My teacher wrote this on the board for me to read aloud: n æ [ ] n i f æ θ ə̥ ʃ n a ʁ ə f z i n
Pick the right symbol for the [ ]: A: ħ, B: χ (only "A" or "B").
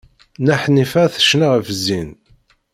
A